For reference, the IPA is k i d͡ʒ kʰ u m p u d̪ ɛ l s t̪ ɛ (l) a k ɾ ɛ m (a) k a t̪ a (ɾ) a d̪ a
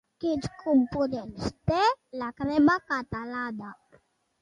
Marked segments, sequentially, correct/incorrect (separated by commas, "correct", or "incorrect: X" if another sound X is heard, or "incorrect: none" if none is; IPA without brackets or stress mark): correct, correct, incorrect: l